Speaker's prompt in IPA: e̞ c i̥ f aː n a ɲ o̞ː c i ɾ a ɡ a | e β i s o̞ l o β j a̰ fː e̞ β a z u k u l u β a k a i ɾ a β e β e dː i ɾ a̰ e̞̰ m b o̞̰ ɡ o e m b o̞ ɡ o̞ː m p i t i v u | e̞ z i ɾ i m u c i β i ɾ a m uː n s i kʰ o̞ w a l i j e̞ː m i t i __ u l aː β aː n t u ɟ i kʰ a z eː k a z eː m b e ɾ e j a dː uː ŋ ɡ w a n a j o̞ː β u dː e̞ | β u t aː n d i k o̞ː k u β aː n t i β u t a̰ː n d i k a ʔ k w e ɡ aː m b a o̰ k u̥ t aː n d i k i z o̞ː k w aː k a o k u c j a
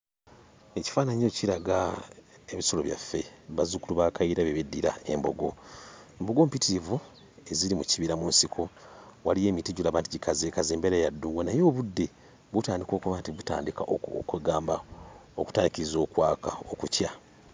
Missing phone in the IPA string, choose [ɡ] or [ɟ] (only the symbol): ɟ